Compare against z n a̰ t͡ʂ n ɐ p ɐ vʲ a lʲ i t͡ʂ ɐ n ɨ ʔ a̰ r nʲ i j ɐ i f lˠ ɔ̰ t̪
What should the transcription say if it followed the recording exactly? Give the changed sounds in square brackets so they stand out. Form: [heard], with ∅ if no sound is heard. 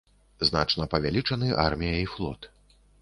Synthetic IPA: z n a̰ t͡ʂ n ɐ p ɐ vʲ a lʲ i t͡ʂ ɐ n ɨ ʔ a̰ r [mʲ] i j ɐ i f lˠ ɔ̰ t̪